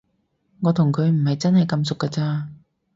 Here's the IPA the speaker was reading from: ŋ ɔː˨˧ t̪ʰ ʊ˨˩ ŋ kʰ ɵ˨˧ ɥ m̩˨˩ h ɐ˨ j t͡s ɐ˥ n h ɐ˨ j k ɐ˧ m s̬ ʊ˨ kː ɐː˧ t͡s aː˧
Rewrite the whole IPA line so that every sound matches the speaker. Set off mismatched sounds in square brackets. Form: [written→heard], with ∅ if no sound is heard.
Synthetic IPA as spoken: ŋ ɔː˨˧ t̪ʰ ʊ˨˩ ŋ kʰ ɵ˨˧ ɥ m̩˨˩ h ɐ˨ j t͡s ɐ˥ n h ɐ˨ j k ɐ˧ m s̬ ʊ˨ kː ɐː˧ t͡s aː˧